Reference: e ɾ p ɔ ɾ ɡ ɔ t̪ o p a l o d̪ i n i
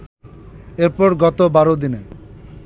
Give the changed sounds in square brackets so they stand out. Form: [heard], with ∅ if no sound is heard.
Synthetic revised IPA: e ɾ p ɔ ɾ ɡ ɔ t̪ o [b] a [ɾ] o d̪ i n [e]